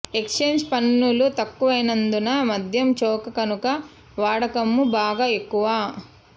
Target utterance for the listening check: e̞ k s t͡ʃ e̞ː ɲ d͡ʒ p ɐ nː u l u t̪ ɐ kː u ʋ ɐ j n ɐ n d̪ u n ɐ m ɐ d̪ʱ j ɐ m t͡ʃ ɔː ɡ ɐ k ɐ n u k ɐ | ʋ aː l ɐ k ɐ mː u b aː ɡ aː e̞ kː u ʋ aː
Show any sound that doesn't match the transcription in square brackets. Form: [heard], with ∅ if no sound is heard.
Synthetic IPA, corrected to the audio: e̞ k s t͡ʃ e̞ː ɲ d͡ʒ p ɐ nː u l u t̪ ɐ kː u ʋ ɐ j n ɐ n d̪ u n ɐ m ɐ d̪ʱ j ɐ m t͡ʃ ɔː [k] ɐ k ɐ n u k ɐ | ʋ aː [ɽ] ɐ k ɐ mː u b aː ɡ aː e̞ kː u ʋ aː